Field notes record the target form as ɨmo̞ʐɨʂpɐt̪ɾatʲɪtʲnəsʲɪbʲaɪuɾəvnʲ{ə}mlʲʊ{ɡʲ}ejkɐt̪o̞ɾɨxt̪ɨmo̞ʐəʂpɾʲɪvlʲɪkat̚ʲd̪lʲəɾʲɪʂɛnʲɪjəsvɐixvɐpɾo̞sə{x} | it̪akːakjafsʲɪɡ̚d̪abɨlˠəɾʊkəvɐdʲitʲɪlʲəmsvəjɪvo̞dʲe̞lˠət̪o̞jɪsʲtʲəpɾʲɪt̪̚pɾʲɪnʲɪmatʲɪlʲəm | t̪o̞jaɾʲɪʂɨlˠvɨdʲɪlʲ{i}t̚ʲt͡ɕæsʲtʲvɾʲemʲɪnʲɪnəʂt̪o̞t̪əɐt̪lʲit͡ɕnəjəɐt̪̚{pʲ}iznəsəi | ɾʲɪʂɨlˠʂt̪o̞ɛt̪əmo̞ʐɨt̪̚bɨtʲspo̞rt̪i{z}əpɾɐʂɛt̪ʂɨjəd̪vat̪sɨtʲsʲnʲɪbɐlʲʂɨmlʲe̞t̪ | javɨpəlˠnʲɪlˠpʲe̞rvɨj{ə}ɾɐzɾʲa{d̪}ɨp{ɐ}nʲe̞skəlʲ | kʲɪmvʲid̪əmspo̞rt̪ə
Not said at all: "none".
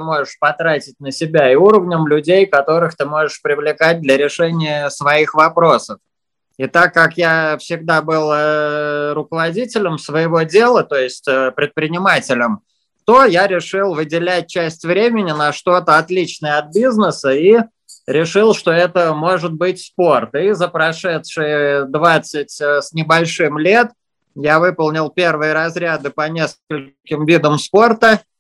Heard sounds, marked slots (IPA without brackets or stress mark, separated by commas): ə, dʲ, f, æ, bʲ, z, ə, d̪, ɐ